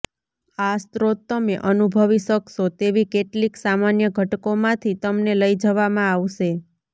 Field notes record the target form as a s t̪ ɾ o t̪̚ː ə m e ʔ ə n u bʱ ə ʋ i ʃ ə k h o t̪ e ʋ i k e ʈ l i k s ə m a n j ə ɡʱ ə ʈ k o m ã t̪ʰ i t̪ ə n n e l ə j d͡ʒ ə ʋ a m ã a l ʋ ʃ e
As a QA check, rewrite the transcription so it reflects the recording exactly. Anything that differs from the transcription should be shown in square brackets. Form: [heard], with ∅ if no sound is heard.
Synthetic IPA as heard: a s t̪ ɾ o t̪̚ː ə m e ʔ ə n u bʱ ə ʋ i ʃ ə k [ʃ] o t̪ e ʋ i k e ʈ l i k s [a] m a n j ə ɡʱ ə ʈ k o m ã t̪ʰ i t̪ ə [m] n e l ə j d͡ʒ ə ʋ a m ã a [∅] ʋ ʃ e